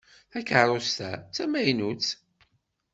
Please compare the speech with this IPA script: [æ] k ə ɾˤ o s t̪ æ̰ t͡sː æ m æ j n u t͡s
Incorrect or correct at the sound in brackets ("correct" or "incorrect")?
correct